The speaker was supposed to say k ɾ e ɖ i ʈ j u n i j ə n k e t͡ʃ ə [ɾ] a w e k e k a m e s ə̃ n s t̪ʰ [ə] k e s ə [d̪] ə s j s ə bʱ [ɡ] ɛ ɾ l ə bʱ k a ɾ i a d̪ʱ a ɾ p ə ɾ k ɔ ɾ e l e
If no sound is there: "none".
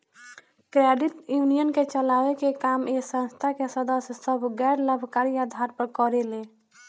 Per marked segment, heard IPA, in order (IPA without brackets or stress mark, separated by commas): l, a, d̪, ɡ